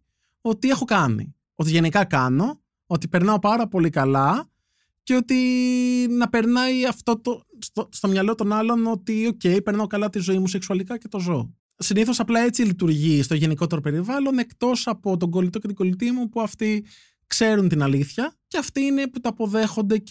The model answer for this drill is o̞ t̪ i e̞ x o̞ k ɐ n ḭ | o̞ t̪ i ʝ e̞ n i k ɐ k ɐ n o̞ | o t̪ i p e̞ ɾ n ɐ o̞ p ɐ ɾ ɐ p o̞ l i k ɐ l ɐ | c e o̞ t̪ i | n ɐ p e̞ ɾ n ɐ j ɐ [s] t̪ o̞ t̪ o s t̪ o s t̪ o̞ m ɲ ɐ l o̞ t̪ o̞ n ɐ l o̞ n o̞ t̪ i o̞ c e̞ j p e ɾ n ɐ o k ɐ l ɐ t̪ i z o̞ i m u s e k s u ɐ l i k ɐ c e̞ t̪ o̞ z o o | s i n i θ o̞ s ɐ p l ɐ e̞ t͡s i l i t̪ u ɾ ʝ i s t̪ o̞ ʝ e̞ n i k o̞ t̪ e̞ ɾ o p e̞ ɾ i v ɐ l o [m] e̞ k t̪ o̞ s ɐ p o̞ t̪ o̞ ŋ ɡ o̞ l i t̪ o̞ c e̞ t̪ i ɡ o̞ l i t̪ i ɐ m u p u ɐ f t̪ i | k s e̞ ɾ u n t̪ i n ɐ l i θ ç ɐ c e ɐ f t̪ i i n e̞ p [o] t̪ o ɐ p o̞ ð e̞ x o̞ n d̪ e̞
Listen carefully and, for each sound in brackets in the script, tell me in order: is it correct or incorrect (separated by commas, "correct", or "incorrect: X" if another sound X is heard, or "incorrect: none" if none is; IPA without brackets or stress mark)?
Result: incorrect: f, incorrect: n, incorrect: u